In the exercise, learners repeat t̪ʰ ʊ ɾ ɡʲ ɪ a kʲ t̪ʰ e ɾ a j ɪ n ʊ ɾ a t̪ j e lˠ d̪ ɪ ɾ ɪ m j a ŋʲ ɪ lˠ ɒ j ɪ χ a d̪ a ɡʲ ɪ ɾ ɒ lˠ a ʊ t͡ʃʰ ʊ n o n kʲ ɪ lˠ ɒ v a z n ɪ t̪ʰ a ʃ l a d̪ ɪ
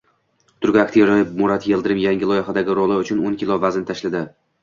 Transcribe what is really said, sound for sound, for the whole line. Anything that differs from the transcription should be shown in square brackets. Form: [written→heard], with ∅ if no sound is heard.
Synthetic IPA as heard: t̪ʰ ʊ ɾ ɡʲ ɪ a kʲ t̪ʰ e ɾ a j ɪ [n→m] ʊ ɾ a t̪ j e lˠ d̪ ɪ ɾ ɪ m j a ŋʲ ɪ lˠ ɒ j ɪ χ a d̪ a ɡʲ ɪ ɾ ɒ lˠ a ʊ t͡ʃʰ ʊ n o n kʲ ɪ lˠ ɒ v a z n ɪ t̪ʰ a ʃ l a d̪ ɪ